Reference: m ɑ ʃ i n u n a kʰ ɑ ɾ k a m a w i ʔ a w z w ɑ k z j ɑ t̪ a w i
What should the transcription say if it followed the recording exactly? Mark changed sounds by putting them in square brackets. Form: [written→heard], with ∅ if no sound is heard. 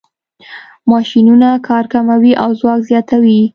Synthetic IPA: m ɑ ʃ i n u n a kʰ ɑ ɾ k a m a w i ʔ a w z w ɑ k z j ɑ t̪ a w i